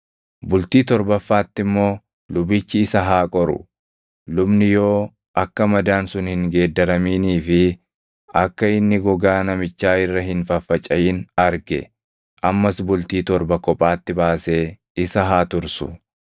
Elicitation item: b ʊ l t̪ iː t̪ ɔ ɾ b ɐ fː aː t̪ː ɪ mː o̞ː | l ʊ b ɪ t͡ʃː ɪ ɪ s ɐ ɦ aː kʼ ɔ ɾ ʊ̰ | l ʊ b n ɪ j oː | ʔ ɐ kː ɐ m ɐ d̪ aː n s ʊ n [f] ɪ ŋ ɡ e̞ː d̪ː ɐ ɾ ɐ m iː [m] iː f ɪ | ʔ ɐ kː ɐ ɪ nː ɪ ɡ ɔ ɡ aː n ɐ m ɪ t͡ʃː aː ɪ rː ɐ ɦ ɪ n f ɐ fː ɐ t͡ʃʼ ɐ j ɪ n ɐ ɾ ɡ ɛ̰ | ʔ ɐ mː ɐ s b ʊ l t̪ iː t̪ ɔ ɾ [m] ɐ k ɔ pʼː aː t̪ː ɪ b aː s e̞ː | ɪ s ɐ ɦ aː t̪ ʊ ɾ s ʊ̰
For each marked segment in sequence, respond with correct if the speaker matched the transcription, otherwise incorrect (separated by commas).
incorrect, incorrect, incorrect